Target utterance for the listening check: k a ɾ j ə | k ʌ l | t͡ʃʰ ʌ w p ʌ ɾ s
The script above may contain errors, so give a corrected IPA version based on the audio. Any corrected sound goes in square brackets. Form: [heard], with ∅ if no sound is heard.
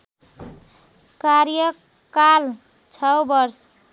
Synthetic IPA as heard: k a ɾ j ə | k [a] l | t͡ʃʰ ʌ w [b] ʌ ɾ s